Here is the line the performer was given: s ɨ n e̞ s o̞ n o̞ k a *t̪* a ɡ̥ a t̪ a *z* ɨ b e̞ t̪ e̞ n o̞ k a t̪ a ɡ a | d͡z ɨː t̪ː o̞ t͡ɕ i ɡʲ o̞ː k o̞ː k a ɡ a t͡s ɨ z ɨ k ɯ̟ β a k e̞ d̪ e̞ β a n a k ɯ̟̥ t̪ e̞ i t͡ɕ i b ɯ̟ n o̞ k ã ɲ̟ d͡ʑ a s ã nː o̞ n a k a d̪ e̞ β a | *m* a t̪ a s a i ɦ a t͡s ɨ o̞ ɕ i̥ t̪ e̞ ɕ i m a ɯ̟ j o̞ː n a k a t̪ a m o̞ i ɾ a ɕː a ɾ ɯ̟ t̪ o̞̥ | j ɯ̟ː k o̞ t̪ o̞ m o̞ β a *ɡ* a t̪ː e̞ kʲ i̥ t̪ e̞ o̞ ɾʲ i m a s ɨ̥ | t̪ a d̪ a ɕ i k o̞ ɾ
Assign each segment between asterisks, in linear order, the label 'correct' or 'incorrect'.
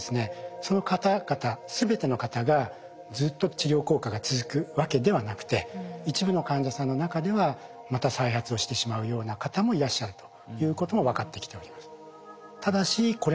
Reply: correct, incorrect, correct, incorrect

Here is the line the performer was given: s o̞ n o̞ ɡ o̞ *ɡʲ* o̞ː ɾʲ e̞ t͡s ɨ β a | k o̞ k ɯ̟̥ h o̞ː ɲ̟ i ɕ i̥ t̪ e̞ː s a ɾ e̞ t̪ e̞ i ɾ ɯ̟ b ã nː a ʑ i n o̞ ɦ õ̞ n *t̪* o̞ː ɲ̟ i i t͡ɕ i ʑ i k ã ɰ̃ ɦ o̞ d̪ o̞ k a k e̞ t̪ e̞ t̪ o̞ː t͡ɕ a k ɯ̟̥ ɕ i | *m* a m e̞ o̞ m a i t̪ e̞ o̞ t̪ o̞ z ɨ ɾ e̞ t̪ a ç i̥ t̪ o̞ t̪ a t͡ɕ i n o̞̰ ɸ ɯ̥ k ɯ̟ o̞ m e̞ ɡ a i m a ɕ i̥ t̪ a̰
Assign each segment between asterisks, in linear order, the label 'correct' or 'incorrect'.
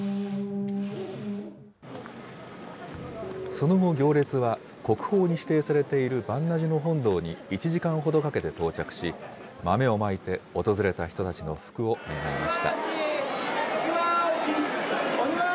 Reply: correct, incorrect, correct

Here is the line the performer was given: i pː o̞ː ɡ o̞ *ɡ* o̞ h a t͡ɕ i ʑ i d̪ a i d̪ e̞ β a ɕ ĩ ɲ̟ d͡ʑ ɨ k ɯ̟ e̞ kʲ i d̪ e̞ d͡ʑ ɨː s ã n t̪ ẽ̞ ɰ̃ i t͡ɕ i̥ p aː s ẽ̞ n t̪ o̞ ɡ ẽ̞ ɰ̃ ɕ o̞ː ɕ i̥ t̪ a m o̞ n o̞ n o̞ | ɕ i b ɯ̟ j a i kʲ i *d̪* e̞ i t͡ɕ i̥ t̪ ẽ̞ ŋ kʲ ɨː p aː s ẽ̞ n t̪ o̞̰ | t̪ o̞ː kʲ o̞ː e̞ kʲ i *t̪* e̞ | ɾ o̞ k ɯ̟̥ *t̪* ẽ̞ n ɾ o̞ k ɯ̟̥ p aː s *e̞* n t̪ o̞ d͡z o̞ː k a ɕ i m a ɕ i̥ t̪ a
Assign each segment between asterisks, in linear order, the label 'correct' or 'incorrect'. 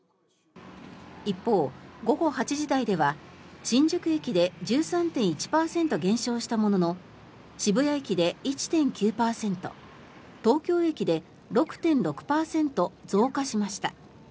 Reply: correct, correct, incorrect, correct, incorrect

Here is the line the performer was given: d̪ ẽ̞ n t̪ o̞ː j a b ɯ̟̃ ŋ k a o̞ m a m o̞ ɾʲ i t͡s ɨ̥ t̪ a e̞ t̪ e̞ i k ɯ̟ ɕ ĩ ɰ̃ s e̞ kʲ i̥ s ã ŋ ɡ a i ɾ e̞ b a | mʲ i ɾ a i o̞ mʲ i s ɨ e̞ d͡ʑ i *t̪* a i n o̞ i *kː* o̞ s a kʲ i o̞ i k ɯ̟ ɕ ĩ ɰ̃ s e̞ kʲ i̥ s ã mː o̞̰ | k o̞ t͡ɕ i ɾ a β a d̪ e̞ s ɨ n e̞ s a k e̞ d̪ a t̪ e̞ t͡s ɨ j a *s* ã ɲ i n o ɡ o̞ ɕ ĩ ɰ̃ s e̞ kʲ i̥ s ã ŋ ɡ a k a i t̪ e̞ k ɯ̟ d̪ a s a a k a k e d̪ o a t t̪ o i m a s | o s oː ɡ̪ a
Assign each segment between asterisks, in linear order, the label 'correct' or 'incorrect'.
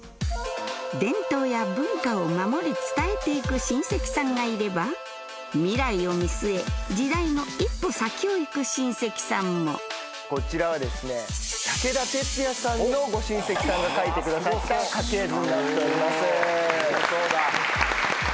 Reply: incorrect, incorrect, correct

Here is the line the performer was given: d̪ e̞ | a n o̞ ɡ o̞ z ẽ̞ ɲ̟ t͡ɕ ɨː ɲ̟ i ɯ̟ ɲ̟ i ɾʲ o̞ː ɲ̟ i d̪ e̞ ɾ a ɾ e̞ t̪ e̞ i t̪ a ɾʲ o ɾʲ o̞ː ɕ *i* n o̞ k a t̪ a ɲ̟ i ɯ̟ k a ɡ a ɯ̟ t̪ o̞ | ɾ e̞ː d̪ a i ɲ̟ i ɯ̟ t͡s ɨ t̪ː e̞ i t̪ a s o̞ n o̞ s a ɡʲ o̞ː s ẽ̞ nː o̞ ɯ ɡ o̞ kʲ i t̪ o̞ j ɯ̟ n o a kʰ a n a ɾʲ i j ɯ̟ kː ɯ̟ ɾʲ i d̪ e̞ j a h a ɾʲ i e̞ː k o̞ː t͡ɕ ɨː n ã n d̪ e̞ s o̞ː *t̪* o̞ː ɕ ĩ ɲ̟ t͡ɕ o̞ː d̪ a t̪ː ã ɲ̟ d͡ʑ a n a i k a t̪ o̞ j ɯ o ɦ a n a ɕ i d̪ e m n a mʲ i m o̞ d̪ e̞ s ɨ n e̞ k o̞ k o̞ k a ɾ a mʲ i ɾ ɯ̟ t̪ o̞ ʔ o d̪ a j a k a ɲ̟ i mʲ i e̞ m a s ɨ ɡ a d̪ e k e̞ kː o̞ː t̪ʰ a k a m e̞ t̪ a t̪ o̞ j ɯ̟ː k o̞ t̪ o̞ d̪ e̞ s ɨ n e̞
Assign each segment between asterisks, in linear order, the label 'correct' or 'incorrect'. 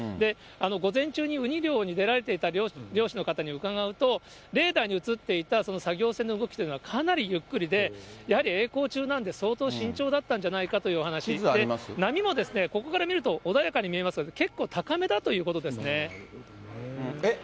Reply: correct, correct

